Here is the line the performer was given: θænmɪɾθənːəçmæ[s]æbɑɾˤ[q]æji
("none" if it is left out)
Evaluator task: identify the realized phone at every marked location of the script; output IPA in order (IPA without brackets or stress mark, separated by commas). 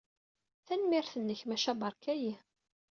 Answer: ʃ, k